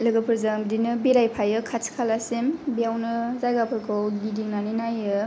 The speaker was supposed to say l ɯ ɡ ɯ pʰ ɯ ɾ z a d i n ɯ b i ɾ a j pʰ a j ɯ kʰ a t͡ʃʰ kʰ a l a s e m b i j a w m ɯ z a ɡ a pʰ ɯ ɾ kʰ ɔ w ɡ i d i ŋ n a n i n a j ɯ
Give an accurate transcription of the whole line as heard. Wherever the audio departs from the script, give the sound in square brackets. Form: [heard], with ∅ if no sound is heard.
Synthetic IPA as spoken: l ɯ ɡ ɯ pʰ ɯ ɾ z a d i n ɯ b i ɾ a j pʰ a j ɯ kʰ a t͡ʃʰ kʰ a l a s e m b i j a w [n] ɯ z a ɡ a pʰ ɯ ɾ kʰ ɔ w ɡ i d i ŋ n a n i n a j ɯ